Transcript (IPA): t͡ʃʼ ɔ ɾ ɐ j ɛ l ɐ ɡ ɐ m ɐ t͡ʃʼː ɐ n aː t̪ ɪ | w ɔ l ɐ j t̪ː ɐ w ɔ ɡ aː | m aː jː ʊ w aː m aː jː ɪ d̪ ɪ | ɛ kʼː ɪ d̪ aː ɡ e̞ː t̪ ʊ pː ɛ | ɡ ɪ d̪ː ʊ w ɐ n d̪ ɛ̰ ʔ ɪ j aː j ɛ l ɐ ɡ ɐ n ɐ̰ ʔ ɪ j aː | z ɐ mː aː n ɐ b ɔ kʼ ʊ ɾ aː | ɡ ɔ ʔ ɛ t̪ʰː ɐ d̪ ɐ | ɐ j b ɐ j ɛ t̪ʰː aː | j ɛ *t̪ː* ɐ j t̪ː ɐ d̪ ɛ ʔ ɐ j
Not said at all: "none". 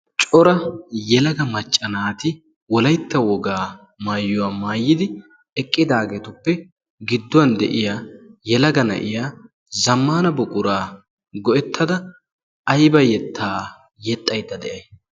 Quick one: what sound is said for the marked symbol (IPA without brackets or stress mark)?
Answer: t̪ʼː